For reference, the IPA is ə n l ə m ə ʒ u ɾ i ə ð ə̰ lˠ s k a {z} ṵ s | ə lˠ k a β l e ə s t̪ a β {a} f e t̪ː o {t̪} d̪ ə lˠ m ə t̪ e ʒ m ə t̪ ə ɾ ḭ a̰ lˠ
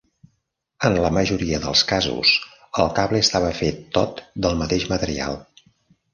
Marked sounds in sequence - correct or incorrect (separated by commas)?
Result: correct, incorrect, correct